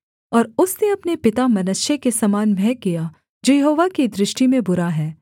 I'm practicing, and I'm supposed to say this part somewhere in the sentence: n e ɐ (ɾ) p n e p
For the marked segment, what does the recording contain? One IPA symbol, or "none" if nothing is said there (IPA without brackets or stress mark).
none